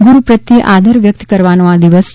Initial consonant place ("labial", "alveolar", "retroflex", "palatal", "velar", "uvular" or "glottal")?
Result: velar